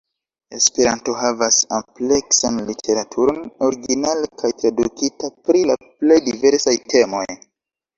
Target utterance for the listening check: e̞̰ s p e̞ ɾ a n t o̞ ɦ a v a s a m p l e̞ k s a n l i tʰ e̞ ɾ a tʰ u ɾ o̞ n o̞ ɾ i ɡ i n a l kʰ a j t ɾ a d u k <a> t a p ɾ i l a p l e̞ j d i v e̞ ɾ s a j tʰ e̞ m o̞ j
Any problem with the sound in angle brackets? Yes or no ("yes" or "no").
yes